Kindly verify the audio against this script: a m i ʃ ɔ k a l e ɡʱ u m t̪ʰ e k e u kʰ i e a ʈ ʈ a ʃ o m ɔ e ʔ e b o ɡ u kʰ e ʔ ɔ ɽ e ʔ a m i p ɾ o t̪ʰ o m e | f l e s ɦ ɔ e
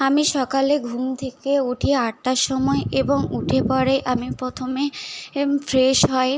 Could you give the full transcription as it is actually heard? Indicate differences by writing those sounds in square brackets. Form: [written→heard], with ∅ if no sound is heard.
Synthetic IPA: a m i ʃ ɔ k a l e ɡʱ u m t̪ʰ e k e u [kʰ→ʈʰ] i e a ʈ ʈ a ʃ [o→ɔ] m ɔ e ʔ e b o [ɡ→ŋ] u [kʰ→ʈʰ] e [ʔ→p] ɔ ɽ e ʔ a m i p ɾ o t̪ʰ o m e | f [l→ɾ] e [s→ʃ] ɦ ɔ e